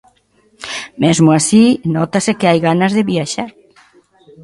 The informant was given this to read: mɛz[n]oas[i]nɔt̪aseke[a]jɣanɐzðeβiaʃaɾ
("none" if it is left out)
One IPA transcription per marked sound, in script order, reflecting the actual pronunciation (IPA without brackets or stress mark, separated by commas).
m, i, a